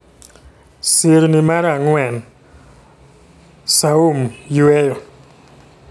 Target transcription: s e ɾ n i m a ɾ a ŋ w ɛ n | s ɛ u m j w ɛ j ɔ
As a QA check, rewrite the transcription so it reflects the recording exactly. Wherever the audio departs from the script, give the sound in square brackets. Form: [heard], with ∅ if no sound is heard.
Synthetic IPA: s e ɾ n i m a ɾ a ŋ w ɛ n | s [a] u m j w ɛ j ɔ